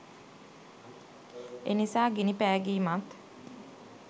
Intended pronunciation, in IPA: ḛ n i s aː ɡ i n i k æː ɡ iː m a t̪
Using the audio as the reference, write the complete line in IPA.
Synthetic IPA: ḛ n i s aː ɡ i n i p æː ɡ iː m a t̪